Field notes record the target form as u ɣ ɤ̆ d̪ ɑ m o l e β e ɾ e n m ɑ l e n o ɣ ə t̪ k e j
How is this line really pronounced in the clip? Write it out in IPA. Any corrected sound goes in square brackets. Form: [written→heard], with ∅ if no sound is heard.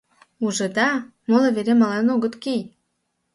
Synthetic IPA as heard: u [ɣ→ʒ] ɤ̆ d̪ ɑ m o l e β e ɾ e [n→∅] m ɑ l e n o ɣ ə t̪ k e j